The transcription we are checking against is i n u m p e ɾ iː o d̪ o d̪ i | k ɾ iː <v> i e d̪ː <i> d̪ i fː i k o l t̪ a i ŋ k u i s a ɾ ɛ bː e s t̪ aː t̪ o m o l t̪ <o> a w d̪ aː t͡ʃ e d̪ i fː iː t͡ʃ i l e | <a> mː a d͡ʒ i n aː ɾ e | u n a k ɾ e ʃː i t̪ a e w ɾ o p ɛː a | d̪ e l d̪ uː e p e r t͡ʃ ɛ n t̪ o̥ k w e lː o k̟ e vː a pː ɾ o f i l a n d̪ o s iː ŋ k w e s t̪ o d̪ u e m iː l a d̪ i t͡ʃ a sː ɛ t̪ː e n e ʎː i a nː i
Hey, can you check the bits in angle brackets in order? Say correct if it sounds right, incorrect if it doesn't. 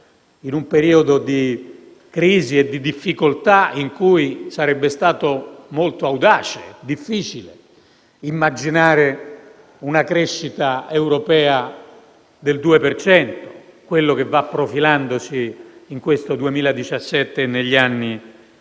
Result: incorrect: z, correct, correct, incorrect: i

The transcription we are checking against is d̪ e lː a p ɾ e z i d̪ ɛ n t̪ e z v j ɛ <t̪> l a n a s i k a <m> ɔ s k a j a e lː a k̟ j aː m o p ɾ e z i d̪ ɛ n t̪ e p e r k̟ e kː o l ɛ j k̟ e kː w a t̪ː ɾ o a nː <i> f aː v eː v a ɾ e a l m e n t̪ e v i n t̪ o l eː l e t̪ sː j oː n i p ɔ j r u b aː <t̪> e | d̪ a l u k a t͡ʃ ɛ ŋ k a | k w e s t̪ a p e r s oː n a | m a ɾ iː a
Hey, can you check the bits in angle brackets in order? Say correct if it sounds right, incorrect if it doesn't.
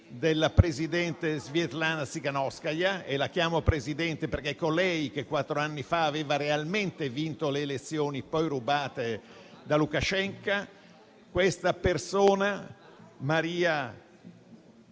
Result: correct, incorrect: n, correct, correct

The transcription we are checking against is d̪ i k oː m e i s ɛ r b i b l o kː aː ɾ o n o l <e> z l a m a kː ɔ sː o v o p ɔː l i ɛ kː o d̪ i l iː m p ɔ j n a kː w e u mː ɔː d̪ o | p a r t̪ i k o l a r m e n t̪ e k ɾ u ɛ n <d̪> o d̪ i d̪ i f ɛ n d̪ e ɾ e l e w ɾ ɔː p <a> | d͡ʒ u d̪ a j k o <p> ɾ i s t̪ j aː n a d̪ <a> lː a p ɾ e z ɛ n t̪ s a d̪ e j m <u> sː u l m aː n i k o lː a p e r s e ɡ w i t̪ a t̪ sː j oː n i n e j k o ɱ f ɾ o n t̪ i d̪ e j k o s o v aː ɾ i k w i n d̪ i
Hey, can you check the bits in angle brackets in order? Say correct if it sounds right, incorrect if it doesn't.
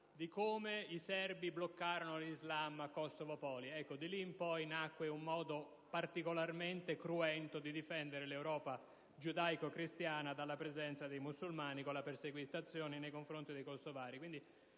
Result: incorrect: i, incorrect: t̪, correct, incorrect: k, correct, correct

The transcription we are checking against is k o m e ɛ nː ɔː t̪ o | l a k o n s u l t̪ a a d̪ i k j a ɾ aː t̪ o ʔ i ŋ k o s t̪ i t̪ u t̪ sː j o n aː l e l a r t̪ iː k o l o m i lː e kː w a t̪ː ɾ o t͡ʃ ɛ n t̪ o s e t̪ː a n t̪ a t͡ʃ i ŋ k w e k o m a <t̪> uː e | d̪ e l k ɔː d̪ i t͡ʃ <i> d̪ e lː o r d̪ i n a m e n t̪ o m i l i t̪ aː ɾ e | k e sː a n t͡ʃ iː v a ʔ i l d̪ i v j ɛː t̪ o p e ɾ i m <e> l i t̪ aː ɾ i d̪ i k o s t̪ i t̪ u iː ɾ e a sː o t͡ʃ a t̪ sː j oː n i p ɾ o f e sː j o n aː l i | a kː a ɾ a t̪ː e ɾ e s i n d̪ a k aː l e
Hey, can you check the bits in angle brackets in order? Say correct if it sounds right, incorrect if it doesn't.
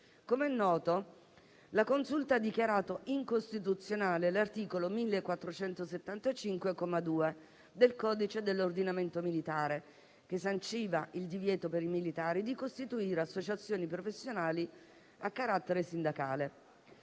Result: incorrect: d̪, incorrect: e, incorrect: i

